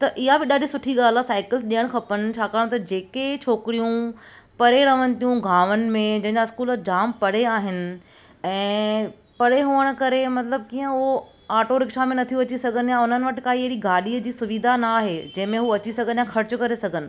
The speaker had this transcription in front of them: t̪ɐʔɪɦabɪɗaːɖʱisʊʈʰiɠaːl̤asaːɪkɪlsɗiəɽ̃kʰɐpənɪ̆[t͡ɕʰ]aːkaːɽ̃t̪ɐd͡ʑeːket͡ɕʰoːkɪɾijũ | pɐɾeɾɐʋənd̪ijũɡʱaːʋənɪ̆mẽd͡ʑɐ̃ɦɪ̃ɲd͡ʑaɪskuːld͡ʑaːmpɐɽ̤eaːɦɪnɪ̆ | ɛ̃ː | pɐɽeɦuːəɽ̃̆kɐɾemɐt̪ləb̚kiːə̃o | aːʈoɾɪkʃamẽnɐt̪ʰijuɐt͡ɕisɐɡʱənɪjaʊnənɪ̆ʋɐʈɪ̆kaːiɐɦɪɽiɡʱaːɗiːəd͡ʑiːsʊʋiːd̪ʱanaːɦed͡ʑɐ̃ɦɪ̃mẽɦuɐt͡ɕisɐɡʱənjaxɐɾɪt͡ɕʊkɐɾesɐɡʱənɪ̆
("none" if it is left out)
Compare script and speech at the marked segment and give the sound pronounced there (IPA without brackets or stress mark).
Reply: t͡ɕʰ